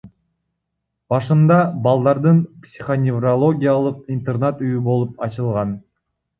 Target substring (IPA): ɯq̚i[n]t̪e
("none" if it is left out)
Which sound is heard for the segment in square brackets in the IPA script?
n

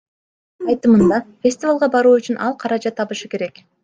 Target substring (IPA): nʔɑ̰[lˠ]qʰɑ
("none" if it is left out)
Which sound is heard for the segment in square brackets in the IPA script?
lˠ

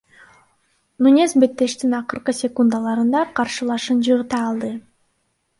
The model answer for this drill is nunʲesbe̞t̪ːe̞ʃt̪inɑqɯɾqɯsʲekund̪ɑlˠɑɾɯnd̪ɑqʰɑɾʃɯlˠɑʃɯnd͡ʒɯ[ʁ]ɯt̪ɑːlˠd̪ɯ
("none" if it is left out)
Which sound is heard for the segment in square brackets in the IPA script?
ʁ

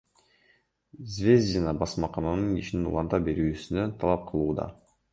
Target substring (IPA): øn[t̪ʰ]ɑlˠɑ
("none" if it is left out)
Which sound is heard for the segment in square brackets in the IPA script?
t̪ʰ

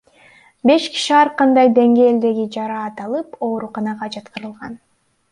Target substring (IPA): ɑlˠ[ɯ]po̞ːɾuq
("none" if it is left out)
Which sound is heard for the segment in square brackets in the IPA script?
ɯ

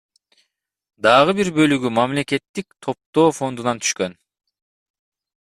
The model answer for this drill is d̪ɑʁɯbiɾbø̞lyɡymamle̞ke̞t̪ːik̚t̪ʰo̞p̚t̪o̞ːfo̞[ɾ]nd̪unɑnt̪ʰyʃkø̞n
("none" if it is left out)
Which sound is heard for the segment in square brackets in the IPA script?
none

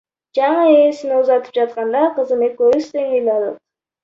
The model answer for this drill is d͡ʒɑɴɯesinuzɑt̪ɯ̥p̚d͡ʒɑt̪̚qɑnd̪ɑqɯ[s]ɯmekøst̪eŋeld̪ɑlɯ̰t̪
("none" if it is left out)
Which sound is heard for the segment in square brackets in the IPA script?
z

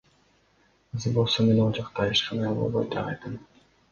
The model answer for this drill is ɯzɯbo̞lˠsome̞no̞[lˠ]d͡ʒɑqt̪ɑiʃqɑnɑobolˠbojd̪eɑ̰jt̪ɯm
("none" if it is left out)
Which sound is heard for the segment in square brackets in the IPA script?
lˠ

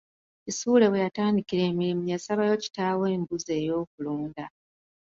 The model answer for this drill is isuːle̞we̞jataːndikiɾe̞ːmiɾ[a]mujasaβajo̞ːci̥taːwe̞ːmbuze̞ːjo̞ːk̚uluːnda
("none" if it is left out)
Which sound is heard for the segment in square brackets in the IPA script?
i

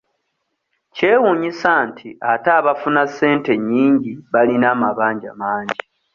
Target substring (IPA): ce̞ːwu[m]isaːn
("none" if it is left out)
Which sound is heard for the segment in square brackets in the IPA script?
ɲ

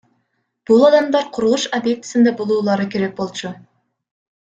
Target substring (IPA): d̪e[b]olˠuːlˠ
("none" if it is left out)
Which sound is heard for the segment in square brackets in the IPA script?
b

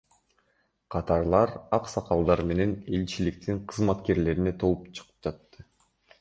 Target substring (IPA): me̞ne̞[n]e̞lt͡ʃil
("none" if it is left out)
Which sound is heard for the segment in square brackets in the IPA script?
n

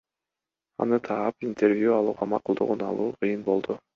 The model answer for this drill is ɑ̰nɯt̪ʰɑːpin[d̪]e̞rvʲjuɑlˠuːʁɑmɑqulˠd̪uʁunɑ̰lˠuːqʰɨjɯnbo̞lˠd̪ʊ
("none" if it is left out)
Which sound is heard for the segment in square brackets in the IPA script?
t̪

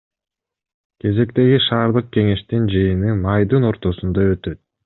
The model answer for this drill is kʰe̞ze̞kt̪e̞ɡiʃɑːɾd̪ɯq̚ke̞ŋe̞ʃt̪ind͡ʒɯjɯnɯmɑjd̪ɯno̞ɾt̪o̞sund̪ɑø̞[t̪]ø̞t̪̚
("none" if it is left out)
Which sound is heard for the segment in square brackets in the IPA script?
t̪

